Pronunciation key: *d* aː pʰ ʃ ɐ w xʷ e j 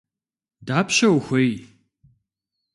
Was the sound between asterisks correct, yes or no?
yes